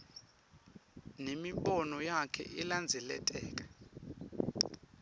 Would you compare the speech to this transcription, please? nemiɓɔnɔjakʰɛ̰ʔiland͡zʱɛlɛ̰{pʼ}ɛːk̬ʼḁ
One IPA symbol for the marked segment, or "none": tʼ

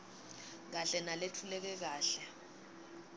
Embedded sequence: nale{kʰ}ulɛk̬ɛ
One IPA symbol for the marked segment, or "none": tʰ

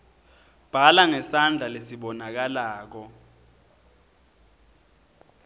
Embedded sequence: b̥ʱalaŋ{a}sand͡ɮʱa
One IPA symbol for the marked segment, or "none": ɛ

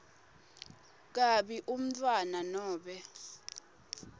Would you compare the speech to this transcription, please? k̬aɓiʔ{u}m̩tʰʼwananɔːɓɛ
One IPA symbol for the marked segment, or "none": u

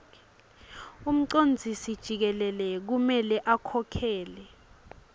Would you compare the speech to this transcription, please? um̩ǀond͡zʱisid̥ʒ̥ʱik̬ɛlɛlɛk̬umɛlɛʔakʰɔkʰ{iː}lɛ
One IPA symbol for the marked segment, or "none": ɛː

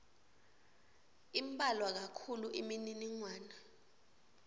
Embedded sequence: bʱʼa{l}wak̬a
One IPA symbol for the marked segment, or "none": l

